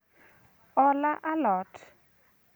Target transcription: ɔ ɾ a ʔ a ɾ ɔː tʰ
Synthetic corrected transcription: ɔ l a ʔ a l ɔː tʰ